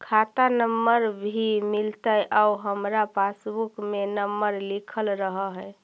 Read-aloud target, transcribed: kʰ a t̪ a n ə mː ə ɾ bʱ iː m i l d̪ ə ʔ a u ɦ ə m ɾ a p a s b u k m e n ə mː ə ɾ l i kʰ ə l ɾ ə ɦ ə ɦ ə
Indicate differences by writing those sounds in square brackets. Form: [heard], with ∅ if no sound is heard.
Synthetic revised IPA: kʰ a t̪ a n ə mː ə ɾ bʱ [i] m i l [t̪] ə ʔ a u ɦ ə m ɾ a p a s b u k m e n ə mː ə ɾ l i kʰ ə l ɾ ə ɦ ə ɦ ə